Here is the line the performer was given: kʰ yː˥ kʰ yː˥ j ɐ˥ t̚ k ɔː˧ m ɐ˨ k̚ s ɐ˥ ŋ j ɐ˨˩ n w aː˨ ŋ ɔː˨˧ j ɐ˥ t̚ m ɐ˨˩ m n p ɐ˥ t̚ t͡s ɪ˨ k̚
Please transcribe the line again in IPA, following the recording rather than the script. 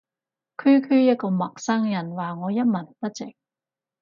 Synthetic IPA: kʰ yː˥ kʰ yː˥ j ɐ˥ t̚ k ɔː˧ m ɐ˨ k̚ s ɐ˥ ŋ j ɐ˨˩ n w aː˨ ŋ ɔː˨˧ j ɐ˥ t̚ m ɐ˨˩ n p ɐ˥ t̚ t͡s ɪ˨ k̚